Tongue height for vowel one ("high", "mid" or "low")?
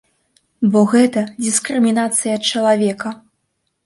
mid